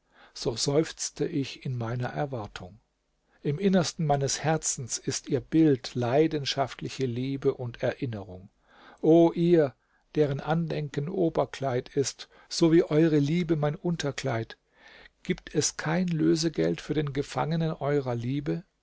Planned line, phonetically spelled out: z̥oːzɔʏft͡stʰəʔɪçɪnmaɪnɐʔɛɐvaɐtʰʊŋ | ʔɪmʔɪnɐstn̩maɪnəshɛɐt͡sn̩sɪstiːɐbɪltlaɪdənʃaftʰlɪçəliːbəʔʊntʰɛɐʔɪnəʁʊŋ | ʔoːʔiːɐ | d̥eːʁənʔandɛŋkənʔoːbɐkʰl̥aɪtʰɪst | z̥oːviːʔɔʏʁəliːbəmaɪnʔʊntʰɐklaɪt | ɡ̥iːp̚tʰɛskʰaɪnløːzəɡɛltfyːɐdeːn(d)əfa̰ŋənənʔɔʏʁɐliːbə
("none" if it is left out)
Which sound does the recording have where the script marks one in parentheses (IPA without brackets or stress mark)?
ɡ